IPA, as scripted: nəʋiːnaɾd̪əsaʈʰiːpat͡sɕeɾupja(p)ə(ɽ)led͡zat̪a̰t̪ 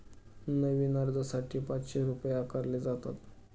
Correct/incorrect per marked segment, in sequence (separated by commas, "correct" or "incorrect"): incorrect, incorrect